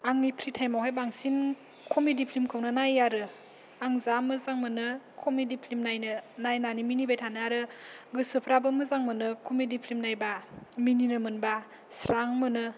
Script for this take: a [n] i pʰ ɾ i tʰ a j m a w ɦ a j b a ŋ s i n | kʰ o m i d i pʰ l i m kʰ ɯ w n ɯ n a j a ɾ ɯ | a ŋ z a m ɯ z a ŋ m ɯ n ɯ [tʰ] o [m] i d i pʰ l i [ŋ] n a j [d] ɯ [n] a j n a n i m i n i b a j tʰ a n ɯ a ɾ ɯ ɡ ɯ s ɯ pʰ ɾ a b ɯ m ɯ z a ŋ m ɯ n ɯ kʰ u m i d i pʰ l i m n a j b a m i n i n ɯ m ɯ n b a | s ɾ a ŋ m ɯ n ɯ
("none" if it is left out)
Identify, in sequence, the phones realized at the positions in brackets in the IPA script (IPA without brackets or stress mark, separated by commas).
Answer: ŋ, kʰ, m, m, n, n